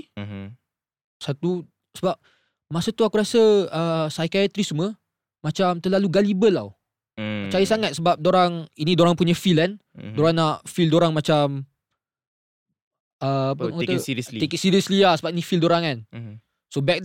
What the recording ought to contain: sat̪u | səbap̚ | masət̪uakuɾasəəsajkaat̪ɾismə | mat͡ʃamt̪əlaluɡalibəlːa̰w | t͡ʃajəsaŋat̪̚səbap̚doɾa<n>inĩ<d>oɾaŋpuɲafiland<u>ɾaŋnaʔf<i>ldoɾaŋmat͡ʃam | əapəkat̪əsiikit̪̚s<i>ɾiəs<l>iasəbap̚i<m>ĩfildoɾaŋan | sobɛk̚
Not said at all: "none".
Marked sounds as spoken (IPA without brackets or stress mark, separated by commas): ŋ, d, o, i, i, l, n